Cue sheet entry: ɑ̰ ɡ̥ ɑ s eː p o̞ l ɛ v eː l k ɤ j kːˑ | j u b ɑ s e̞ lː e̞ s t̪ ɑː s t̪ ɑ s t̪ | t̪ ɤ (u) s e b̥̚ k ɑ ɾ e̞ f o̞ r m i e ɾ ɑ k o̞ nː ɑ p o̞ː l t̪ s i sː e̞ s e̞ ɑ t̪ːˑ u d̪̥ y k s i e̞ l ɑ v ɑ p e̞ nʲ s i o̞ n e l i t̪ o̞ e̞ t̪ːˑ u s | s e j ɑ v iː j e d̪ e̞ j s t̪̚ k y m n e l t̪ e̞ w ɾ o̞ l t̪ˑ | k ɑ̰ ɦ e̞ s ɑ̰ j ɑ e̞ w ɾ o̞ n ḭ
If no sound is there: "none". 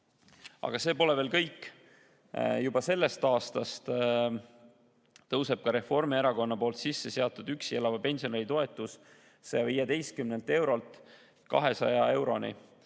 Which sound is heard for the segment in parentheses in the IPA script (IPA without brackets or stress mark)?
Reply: w